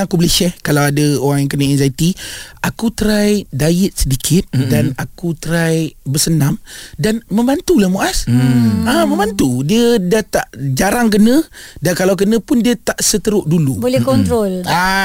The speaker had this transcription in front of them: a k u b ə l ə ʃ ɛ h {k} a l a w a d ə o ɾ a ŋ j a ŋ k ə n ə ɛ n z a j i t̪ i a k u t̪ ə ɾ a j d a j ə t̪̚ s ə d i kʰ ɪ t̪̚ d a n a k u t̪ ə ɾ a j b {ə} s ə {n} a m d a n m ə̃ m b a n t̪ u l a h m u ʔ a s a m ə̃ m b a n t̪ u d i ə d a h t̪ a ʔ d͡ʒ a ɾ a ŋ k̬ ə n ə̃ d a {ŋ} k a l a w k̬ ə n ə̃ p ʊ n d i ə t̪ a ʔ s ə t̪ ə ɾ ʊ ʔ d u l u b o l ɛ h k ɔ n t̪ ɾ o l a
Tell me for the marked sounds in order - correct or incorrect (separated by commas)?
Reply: correct, correct, correct, incorrect